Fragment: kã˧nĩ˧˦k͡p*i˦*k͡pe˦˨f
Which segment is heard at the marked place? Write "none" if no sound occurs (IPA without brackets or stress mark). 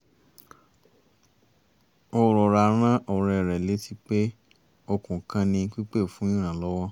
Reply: i˦